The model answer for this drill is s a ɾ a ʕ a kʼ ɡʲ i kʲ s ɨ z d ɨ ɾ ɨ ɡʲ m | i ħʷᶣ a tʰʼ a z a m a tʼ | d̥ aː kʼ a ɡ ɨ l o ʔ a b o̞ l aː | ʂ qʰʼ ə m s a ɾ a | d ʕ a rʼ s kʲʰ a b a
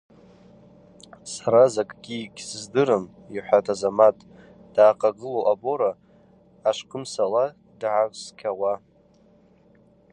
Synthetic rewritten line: s a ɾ a z a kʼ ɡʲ i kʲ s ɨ z d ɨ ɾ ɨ m | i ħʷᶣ a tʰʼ a z a m a tʼ | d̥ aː qʼ a ɡ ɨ l o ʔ a b o̞ ɾ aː | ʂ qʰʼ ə m s a l a | d ʕ a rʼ s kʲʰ a w a